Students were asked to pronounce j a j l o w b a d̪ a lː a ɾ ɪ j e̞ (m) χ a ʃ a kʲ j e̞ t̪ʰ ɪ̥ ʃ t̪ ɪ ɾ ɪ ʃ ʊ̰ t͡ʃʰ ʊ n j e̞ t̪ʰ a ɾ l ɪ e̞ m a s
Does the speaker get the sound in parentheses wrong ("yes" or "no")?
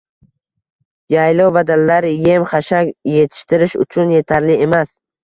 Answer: no